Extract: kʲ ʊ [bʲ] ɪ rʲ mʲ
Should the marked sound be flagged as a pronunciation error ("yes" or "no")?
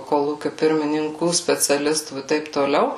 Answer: yes